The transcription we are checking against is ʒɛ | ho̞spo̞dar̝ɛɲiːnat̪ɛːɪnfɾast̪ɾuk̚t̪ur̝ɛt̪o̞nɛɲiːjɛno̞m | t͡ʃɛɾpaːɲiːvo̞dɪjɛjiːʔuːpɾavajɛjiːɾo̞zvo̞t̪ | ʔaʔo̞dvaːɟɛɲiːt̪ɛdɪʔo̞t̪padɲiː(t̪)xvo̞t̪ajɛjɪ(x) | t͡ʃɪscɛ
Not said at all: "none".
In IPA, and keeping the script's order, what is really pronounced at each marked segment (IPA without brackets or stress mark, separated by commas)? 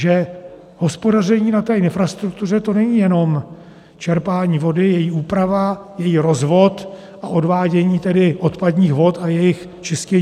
none, x